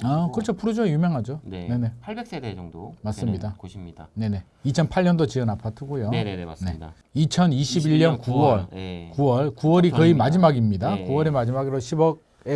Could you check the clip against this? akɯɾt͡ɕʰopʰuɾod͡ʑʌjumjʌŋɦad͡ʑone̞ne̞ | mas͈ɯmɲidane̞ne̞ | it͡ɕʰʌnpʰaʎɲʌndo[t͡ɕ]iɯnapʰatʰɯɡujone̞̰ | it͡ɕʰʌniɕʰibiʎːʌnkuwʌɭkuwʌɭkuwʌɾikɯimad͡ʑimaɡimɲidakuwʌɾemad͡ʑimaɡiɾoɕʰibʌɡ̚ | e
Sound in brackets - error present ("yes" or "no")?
no